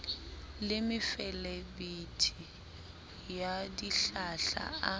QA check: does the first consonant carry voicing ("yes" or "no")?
yes